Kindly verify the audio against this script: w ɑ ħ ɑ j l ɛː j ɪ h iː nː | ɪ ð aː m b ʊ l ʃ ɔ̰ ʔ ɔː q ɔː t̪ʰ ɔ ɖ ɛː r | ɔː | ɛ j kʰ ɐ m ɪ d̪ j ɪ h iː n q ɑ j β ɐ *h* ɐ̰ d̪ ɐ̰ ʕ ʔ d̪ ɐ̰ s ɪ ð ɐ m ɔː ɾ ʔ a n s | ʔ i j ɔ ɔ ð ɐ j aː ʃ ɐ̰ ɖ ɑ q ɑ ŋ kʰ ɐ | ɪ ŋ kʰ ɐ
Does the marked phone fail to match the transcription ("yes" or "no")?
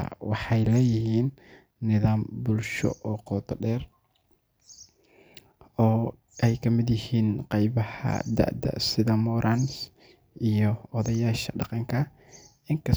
no